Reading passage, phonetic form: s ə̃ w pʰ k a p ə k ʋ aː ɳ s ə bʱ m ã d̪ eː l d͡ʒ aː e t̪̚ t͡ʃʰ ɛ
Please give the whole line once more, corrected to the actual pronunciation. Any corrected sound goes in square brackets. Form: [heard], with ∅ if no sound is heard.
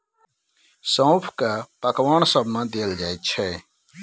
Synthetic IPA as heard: s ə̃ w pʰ k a p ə k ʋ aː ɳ s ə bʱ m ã d̪ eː l d͡ʒ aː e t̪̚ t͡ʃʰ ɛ